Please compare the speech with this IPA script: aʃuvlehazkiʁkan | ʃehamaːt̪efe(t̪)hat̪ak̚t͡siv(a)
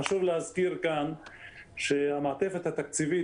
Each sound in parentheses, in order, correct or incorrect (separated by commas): correct, incorrect